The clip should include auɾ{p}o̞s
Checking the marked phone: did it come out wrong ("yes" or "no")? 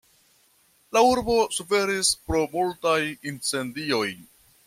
yes